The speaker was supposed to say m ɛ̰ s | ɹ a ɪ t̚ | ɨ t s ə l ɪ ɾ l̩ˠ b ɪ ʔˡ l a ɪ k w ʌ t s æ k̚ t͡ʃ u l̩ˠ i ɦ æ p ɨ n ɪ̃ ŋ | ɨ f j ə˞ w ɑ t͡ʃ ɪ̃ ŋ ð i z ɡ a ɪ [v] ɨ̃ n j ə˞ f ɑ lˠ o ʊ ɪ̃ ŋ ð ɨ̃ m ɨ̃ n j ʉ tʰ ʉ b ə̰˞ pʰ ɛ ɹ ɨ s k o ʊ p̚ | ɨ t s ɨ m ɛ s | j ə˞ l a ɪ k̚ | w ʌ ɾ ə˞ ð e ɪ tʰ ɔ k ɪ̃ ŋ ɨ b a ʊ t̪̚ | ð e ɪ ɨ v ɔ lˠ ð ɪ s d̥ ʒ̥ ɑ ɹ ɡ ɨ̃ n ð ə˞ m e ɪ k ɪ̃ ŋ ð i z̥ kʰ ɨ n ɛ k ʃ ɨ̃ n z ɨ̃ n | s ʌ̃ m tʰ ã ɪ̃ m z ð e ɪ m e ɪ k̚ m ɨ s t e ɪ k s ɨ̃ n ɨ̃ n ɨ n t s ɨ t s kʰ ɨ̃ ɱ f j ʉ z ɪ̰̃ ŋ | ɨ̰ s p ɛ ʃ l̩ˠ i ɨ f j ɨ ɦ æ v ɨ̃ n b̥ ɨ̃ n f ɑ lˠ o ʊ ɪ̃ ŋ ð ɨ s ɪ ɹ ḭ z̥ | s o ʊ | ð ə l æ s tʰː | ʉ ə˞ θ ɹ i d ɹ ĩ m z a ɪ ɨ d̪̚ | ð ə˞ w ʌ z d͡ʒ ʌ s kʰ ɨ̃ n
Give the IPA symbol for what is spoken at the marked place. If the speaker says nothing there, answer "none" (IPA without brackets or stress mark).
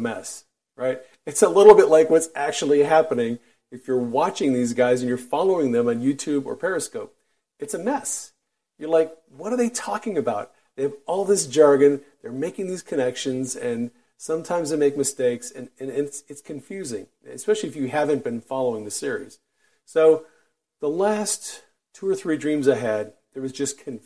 z